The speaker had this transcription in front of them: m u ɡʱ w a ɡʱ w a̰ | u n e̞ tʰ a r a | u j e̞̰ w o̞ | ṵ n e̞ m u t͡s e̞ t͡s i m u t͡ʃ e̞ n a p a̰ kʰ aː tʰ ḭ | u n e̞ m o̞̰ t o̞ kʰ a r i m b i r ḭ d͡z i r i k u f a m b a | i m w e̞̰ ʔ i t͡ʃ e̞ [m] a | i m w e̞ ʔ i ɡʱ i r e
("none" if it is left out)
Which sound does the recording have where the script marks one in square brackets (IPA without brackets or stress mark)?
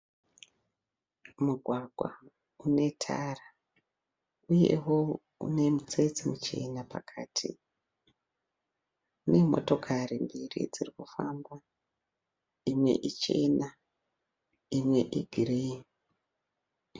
n